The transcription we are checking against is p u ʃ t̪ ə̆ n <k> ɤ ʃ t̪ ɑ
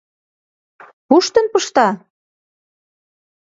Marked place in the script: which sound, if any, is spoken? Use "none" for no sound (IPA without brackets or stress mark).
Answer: p